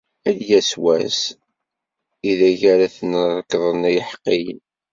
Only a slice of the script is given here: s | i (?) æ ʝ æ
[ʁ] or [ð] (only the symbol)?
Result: ð